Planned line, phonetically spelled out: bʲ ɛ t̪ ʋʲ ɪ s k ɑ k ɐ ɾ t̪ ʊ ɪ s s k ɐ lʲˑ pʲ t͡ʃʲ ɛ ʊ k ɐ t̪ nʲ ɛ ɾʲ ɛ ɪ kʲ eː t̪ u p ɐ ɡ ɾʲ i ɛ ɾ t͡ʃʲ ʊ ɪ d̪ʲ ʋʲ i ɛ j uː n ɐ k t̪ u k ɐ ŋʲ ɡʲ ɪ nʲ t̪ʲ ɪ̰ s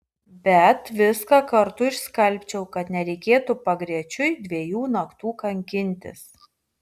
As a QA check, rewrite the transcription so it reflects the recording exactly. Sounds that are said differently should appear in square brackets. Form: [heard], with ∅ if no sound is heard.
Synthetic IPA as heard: bʲ ɛ t̪ ʋʲ ɪ s k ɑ k ɐ ɾ t̪ ʊ ɪ [ʃ] s k ɐ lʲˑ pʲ t͡ʃʲ ɛ ʊ k ɐ t̪ nʲ ɛ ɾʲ ɛ ɪ kʲ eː t̪ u p ɐ ɡ ɾʲ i ɛ [∅] t͡ʃʲ ʊ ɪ d̪ʲ ʋʲ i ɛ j uː n ɐ k t̪ [uː] k ɐ ŋʲ [kʲ] ɪ nʲ t̪ʲ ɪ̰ s